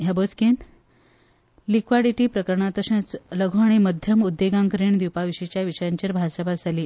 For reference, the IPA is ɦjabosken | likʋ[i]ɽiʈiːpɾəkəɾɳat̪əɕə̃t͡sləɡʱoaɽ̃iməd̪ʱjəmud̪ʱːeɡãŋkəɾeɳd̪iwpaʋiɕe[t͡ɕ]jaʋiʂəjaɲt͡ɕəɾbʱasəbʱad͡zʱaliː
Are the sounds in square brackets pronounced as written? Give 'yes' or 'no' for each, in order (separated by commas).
no, yes